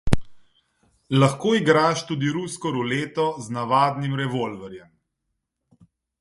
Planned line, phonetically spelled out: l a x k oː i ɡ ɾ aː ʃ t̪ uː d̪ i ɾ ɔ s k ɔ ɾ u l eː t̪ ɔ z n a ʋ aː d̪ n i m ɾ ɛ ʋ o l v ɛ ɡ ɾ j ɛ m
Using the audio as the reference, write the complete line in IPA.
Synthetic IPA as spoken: l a x k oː i ɡ ɾ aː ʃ t̪ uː d̪ i ɾ u s k ɔ ɾ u l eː t̪ ɔ z n a ʋ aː d̪ n i m ɾ ɛ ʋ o l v ɛ ɾ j ɛ m

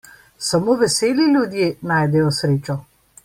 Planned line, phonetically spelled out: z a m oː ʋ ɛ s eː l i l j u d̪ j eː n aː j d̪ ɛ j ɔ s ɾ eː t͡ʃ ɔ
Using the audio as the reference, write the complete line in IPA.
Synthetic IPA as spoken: s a m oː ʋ ɛ s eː l i l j u d̪ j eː n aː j d̪ ɛ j ɔ s ɾ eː t͡ʃ ɔ

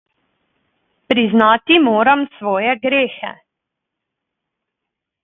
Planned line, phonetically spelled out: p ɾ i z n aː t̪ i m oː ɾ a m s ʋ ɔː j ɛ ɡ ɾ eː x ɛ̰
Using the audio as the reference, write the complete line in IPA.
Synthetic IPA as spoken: p ɾ i z n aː t̪ i m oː ɾ a m s ʋ ɔː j ɛ ɡ ɾ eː x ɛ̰

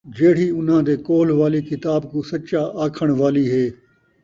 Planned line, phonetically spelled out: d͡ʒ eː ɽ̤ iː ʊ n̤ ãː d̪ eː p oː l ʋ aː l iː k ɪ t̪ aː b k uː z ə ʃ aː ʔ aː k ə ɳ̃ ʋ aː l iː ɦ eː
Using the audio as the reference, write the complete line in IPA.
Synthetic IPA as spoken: d͡ʒ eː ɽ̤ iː ʊ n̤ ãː d̪ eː k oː l ʋ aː l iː k ɪ t̪ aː b k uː s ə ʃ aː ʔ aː kʰ ə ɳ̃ ʋ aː l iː ɦ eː

